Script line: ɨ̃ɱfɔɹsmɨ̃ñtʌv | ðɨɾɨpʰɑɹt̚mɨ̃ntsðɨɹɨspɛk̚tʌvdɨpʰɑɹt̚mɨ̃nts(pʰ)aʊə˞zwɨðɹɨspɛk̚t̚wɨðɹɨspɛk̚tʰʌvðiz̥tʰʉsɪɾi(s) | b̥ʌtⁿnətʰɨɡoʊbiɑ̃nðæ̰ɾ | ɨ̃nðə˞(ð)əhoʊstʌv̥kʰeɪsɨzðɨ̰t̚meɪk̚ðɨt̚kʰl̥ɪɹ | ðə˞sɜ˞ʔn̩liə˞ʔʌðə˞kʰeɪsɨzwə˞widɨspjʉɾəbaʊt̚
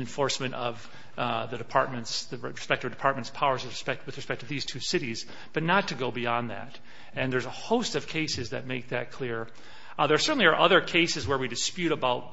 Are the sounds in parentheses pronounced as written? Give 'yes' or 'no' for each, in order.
yes, no, no

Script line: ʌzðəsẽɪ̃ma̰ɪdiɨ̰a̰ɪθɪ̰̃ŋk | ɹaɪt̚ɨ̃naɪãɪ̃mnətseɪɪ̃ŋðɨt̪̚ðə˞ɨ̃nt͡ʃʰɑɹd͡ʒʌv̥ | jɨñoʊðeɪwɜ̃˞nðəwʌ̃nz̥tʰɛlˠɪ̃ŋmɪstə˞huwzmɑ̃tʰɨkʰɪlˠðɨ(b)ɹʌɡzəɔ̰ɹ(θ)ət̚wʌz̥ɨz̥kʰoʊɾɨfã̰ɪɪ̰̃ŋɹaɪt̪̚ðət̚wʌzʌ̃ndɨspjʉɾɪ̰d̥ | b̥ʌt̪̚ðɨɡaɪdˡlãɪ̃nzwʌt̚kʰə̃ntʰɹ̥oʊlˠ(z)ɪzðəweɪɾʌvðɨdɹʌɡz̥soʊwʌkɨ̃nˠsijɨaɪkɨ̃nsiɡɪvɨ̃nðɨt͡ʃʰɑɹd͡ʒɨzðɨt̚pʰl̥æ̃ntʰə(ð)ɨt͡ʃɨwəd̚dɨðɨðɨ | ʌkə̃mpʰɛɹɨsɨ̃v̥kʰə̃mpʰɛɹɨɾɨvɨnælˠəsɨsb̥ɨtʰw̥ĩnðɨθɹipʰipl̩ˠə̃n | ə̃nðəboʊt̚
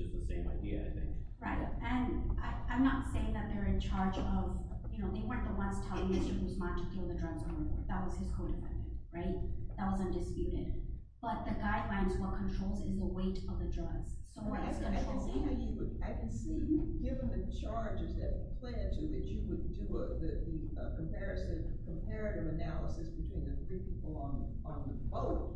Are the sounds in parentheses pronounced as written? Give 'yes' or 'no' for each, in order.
no, no, yes, yes

